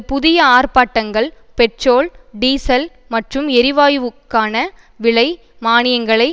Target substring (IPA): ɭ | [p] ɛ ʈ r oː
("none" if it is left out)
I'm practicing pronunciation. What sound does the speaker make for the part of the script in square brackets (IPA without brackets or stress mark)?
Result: p